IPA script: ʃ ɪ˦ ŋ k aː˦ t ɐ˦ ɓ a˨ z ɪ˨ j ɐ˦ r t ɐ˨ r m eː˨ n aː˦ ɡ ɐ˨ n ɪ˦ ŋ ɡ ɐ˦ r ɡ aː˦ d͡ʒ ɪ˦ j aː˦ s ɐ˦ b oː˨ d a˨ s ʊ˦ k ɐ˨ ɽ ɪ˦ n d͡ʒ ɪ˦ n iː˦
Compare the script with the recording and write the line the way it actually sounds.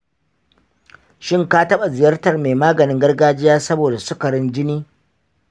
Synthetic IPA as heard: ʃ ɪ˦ ŋ k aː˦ t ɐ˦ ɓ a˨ z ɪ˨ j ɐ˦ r t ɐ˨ r m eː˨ m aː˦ ɡ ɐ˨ n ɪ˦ ŋ ɡ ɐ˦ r ɡ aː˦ d͡ʒ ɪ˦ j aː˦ s ɐ˦ b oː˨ d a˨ s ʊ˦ k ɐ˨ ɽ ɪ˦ n d͡ʒ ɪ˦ n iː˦